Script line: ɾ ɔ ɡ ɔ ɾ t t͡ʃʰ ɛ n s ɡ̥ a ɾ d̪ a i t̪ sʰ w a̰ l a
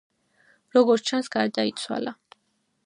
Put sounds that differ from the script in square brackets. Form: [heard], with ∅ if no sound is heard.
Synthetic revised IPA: ɾ ɔ ɡ ɔ ɾ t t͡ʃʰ [a] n s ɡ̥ a ɾ d̪ a i t̪ sʰ w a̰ l a